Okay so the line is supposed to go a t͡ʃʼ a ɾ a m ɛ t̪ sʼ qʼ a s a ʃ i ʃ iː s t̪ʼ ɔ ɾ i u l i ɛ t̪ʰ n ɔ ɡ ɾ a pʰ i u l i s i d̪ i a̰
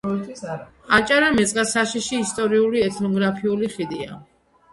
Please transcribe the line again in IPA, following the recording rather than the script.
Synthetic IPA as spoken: a t͡ʃʼ a ɾ a m ɛ t̪ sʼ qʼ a s a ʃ i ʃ iː s t̪ʼ ɔ ɾ i u l i ɛ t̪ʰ n ɔ ɡ ɾ a pʰ i u l i χ i d̪ i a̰